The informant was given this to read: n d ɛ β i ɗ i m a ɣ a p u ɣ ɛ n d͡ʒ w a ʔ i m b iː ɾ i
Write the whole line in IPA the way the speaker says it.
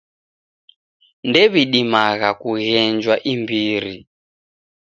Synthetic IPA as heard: n d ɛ β i ɗ i m a ɣ a k u ɣ ɛ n d͡ʒ w a ʔ i m b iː ɾ i

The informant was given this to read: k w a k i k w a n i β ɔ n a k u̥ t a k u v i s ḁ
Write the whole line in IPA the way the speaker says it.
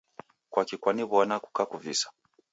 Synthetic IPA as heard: k w a k i k w a n i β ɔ n a k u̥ k a k u v i s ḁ

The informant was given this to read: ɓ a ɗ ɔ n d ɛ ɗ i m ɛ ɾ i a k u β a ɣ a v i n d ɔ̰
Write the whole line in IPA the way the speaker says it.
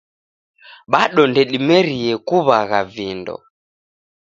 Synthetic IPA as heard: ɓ a ɗ ɔ n d ɛ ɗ i m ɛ ɾ i ɛ k u β a ɣ a v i n d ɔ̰

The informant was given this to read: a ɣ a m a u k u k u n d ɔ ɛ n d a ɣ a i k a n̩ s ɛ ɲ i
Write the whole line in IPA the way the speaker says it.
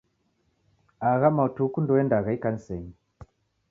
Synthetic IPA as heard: a ɣ a m a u t u k u n d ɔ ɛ n d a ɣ a i k a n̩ s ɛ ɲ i

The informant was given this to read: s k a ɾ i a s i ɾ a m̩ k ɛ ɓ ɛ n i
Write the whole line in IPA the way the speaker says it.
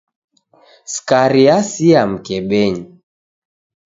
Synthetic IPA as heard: s k a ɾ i a s i a m̩ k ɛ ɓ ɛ ɲ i

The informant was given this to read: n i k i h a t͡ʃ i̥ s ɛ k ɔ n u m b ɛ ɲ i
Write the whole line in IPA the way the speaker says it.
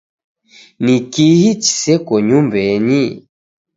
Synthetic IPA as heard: n i k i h i t͡ʃ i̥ s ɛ k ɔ ɲ u m b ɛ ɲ i

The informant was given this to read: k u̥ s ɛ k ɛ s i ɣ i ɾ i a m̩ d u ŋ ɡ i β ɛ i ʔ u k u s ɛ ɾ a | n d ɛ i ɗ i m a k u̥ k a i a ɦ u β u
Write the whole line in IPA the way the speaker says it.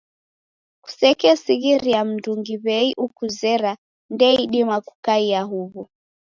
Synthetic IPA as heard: k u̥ s ɛ k ɛ s i ɣ i ɾ i a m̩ d u ŋ ɡ i β ɛ i ʔ u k u z ɛ ɾ a | n d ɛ i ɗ i m a k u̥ k a i a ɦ u β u

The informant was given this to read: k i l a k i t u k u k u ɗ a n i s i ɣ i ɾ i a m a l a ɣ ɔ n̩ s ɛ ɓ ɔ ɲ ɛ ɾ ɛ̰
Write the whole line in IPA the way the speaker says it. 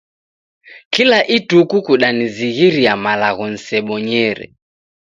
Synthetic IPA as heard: k i l a ʔ i t u k u k u ɗ a n i z i ɣ i ɾ i a m a l a ɣ ɔ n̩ s ɛ ɓ ɔ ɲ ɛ ɾ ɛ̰

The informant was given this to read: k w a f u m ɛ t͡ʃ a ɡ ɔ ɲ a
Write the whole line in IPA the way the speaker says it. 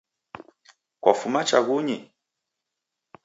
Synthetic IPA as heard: k w a f u m a t͡ʃ a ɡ u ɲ i

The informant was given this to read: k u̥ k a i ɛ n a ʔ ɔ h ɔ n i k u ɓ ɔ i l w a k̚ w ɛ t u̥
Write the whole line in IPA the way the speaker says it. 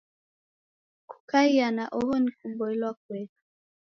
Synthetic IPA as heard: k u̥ k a i a n a ʔ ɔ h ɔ n i k u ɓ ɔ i l w a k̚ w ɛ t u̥

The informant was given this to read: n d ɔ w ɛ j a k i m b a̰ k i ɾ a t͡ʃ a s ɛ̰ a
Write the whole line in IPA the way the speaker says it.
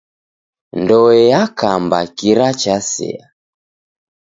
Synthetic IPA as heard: n d ɔ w ɛ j a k a m b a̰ k i ɾ a t͡ʃ a s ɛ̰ a

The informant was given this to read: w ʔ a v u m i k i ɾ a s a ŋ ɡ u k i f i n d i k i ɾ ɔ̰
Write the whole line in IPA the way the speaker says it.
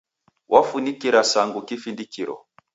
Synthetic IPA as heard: w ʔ a f u n i k i ɾ a s a ŋ ɡ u k i f i n d i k i ɾ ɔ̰

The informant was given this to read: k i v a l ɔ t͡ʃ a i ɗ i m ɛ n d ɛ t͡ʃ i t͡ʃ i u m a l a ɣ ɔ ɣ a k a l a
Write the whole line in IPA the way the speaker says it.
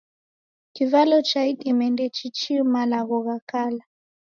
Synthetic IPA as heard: k i v a l ɔ t͡ʃ a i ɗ i m ɛ n d ɛ t͡ʃ i t͡ʃ i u m a l a ɣ ɔ ɣ a k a l a

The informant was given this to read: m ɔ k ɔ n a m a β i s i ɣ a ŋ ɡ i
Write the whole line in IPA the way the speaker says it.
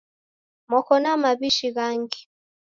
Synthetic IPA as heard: m ɔ k ɔ n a m a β i ʃ i ɣ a ŋ ɡ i

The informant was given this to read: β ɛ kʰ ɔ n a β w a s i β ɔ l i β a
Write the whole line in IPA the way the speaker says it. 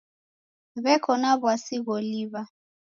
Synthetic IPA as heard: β ɛ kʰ ɔ n a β w a s i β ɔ l i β a

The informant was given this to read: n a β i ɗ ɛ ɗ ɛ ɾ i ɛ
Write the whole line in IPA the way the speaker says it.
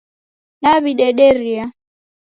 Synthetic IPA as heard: n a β i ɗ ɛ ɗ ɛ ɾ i a

